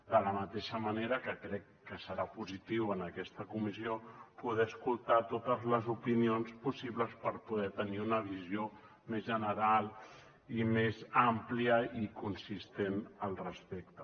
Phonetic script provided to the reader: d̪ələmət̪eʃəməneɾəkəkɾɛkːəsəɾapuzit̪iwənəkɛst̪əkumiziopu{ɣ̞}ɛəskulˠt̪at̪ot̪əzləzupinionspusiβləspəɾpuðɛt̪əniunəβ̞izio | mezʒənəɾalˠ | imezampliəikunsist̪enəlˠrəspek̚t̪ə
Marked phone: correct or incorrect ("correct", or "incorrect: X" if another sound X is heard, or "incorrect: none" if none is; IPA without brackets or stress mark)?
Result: incorrect: ð̞